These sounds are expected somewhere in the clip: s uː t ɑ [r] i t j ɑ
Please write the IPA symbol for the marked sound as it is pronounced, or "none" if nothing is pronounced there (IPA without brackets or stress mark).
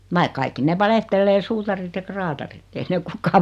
r